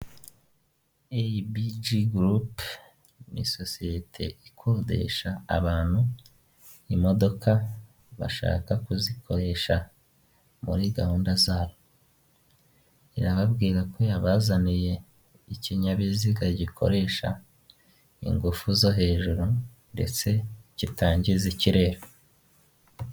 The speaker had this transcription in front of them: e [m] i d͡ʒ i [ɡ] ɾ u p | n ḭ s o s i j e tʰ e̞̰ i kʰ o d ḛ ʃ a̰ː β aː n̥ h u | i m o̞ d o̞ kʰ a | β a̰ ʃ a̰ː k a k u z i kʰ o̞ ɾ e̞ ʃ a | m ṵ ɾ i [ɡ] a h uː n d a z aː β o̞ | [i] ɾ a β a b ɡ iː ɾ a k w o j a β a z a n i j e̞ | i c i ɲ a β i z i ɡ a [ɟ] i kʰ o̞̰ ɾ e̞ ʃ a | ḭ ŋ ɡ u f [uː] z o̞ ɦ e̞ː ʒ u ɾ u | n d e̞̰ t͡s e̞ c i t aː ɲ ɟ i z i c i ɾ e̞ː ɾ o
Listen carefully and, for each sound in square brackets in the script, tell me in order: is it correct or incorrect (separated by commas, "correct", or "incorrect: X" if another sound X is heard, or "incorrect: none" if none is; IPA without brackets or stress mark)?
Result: incorrect: b, correct, correct, correct, correct, incorrect: u